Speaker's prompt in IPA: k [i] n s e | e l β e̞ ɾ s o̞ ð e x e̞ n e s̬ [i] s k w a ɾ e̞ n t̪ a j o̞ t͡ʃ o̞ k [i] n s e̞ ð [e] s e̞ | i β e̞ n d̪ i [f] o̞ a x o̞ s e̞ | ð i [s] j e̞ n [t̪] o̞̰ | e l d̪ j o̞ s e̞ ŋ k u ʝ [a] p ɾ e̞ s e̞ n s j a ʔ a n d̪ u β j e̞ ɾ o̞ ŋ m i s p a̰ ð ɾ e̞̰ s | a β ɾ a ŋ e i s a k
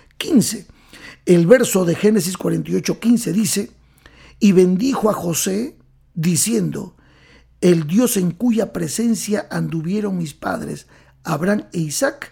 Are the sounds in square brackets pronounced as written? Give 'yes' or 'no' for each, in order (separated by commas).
yes, yes, yes, no, no, yes, no, yes